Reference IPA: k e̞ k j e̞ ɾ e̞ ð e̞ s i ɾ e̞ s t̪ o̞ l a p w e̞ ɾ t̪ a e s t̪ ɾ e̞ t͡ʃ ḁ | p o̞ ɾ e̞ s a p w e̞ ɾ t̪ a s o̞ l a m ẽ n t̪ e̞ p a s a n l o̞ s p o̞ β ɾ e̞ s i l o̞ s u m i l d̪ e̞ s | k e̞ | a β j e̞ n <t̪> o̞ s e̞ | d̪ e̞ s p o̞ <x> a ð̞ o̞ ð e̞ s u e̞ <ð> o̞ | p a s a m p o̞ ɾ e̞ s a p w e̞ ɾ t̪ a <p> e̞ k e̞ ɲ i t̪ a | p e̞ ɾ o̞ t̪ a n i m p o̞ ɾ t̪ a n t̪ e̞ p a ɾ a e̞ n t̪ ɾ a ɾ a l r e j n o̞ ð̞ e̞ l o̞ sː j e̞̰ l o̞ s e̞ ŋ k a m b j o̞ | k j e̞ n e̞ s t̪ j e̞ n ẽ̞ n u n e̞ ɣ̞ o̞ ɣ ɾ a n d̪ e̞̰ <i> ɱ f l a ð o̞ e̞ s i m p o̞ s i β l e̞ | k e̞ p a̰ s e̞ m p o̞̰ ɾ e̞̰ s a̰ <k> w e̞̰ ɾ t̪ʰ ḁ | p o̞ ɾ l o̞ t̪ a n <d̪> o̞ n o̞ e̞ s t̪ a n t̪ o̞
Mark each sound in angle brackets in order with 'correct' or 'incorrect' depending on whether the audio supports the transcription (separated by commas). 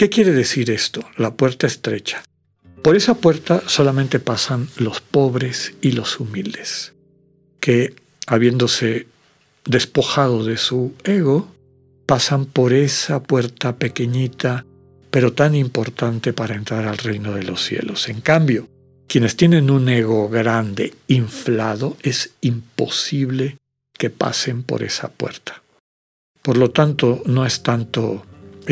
incorrect, correct, incorrect, correct, correct, incorrect, incorrect